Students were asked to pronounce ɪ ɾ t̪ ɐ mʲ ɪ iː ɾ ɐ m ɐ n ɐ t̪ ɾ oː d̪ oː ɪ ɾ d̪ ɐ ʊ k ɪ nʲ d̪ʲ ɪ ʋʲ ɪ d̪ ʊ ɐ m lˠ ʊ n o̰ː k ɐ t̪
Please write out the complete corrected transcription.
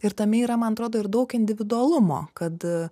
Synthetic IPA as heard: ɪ ɾ t̪ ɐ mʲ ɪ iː ɾ ɐ m ɐ n ɐ t̪ ɾ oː d̪ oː ɪ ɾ d̪ ɐ ʊ k ɪ nʲ d̪ʲ ɪ ʋʲ ɪ d̪ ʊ ɐ lˠ ʊ m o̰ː k ɐ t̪